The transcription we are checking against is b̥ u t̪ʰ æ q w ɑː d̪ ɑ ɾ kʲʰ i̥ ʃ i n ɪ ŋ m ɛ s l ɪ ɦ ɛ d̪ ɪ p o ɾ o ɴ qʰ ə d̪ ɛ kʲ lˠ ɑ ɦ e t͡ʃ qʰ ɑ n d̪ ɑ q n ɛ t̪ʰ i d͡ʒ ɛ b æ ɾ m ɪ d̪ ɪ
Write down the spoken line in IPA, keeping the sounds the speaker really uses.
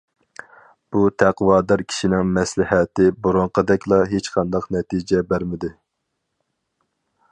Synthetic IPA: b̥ u t̪ʰ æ q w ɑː d̪ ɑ ɾ kʲʰ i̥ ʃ i n ɪ ŋ m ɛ s l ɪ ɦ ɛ t̪ ɪ b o ɾ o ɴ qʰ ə d̪ ɛ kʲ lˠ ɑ ɦ e t͡ʃ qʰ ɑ n d̪ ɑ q n ɛ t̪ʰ i d͡ʒ ɛ b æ ɾ m ɪ d̪ ɪ